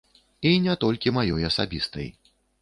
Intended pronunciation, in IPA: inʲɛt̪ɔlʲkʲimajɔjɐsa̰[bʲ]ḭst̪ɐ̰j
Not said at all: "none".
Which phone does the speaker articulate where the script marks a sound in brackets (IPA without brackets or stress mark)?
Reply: bʲ